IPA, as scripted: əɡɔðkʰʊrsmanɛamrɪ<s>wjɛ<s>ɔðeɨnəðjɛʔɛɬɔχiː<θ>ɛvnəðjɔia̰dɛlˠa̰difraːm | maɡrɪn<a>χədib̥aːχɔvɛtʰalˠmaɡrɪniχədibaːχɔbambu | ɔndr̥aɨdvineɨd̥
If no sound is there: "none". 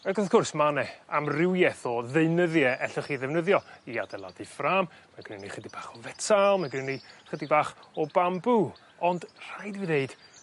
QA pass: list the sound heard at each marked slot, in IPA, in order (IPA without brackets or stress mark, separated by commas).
none, θ, ð, i